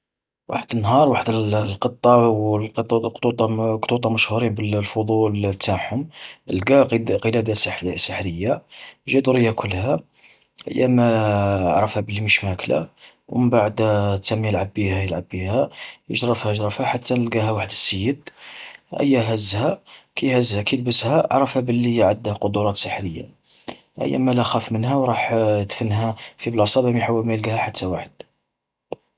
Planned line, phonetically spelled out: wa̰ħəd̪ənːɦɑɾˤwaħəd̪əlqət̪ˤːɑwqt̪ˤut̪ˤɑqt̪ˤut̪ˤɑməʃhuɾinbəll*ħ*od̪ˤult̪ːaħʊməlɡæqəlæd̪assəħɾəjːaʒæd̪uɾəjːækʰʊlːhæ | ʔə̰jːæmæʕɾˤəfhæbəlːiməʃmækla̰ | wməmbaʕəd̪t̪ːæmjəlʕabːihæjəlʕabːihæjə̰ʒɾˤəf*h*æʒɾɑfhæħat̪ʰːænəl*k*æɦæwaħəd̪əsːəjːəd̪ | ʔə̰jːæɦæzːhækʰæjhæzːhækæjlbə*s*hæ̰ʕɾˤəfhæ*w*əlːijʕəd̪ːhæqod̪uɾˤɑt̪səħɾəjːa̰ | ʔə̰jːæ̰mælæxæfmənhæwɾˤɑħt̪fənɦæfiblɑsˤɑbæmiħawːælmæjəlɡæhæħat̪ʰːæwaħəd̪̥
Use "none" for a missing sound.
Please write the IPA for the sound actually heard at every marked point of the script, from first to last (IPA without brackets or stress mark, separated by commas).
f, h, ɡ, s, b